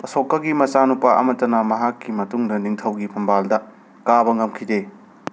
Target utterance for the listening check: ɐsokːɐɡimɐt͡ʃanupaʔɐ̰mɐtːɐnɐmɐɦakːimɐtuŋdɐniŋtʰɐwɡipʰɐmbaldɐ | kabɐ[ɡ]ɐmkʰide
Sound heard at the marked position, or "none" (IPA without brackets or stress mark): ŋ